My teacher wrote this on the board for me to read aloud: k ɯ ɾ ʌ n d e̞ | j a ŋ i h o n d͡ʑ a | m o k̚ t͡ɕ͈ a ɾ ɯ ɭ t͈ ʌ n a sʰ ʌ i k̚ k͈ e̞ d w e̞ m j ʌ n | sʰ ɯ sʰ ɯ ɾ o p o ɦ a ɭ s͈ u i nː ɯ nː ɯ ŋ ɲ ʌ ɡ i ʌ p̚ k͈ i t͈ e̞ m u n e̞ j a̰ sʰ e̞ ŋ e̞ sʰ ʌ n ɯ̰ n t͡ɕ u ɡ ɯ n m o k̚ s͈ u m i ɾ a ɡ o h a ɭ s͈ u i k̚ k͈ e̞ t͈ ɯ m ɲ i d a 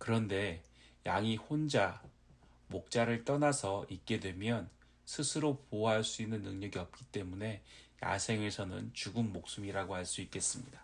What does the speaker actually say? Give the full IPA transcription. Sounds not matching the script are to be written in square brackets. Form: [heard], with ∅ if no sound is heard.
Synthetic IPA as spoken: k ɯ ɾ ʌ n d e̞ | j a ŋ i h o n d͡ʑ a | m o k̚ t͡ɕ͈ a ɾ ɯ ɭ t͈ ʌ n a sʰ ʌ i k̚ k͈ e̞ d w e̞ m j ʌ n | sʰ ɯ sʰ ɯ ɾ o p o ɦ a ɭ s͈ u i nː ɯ nː ɯ ŋ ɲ ʌ ɡ i ʌ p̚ k͈ i t͈ e̞ m u n e̞ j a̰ sʰ e̞ ŋ e̞ sʰ ʌ n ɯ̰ n t͡ɕ u ɡ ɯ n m o k̚ s͈ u m i ɾ a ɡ o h a ɭ s͈ u i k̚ k͈ e̞ [s͈] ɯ m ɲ i d a